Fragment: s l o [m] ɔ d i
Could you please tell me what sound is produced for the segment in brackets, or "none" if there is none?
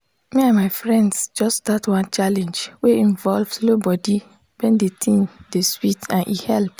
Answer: b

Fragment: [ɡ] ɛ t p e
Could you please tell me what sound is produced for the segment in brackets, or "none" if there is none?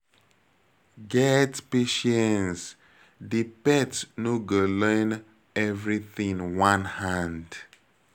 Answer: ɡ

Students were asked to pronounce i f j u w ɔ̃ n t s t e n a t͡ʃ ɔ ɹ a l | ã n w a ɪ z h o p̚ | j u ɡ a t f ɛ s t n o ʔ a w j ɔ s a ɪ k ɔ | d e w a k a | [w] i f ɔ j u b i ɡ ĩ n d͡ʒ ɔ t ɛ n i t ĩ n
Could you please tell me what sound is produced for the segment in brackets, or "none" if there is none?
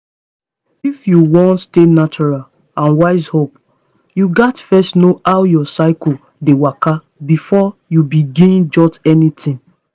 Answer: b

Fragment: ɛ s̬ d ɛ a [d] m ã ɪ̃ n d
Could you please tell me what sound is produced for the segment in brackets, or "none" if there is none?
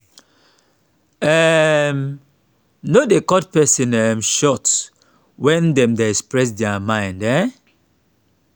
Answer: none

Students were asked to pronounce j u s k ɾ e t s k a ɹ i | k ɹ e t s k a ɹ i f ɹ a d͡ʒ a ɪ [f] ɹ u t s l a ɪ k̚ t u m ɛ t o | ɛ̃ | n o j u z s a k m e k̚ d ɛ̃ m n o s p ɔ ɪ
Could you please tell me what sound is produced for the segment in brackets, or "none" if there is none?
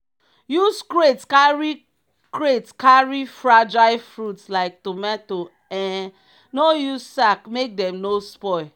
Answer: f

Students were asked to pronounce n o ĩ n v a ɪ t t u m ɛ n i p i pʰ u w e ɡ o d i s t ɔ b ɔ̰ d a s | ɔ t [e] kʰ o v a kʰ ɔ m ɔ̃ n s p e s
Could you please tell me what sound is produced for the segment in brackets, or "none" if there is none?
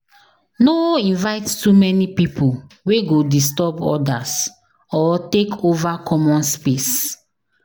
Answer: e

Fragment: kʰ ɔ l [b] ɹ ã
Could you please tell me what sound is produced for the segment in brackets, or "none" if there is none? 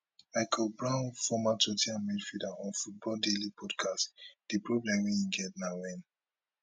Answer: b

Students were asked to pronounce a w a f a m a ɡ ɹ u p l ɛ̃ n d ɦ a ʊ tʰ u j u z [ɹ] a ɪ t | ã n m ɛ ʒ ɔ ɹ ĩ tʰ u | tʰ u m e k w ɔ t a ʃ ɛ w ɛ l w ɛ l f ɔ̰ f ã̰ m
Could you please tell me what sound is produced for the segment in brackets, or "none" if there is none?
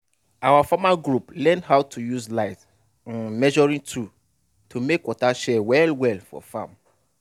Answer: l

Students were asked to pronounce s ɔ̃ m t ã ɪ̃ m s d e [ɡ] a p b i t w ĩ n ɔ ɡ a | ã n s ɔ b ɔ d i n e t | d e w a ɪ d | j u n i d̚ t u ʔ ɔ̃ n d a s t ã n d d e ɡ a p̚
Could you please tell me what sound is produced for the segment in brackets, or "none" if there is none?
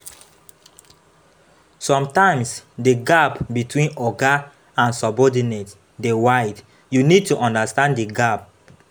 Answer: ɡ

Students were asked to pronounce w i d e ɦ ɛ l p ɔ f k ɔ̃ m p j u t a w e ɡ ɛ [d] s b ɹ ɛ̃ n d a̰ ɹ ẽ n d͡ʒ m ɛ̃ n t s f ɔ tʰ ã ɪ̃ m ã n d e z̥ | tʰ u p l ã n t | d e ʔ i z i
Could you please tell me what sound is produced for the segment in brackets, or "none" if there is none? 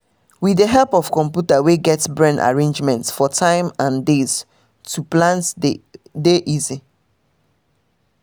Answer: t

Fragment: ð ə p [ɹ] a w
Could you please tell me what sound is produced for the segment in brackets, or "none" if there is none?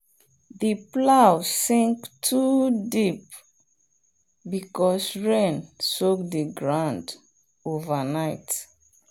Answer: l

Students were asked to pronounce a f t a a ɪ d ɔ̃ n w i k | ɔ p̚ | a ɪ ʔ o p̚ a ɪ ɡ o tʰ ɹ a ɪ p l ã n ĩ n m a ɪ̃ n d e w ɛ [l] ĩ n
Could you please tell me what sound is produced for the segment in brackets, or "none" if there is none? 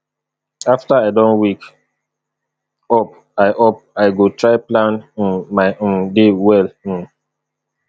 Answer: l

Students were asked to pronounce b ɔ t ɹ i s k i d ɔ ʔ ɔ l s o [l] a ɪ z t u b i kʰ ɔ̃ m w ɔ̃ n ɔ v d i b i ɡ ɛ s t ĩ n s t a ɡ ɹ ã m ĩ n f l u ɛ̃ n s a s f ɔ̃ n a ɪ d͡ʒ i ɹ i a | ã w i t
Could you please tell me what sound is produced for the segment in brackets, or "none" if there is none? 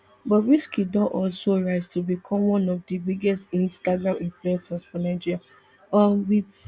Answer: ɹ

